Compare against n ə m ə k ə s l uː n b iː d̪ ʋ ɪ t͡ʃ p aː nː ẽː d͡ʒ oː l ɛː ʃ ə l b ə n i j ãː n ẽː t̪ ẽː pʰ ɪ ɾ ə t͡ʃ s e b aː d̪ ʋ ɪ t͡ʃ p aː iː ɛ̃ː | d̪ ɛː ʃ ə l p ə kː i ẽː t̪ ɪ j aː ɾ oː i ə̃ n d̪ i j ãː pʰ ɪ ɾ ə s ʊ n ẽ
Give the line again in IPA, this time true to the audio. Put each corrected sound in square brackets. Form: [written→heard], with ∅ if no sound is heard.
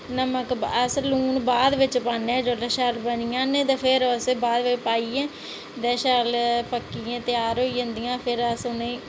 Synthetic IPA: n ə m ə k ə s l uː n b [iː→aː] d̪ ʋ ɪ t͡ʃ p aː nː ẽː d͡ʒ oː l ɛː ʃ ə l b ə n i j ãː n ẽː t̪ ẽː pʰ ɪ ɾ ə [t͡ʃ→∅] s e b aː d̪ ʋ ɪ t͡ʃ p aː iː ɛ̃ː | d̪ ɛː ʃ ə l p ə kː i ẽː t̪ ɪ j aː ɾ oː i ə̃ n d̪ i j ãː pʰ ɪ ɾ ə s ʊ n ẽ